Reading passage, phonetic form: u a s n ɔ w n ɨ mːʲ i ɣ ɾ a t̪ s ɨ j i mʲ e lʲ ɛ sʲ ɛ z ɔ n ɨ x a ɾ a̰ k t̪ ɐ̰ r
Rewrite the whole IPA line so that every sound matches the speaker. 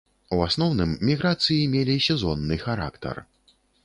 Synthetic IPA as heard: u a s n ɔ w n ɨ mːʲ i ɣ ɾ a t̪ s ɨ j i mʲ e lʲ i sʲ ɛ z ɔ nː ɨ x a ɾ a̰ k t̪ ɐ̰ r